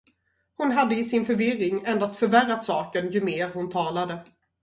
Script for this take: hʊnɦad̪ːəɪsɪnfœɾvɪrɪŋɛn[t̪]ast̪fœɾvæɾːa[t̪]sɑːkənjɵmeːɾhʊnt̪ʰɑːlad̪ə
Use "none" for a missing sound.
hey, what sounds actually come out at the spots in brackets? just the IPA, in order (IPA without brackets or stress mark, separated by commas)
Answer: d̪, t̪